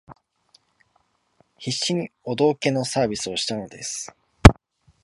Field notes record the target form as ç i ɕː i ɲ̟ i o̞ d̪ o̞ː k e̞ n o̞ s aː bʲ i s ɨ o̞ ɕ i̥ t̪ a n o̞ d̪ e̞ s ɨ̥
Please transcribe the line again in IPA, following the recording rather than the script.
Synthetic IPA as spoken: ç i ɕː i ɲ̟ i o̞ d̪ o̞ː k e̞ n o̞ s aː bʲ i s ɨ o̞ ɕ i̥ t̪ a n o̞ d̪ e̞ s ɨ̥